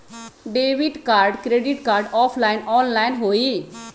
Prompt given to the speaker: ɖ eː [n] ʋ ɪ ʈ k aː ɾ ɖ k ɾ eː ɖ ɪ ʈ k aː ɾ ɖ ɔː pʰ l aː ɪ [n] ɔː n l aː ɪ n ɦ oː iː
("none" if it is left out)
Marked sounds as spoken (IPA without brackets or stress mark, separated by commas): none, n